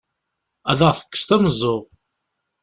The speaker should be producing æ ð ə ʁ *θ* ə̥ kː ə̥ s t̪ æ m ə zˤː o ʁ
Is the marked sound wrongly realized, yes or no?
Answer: no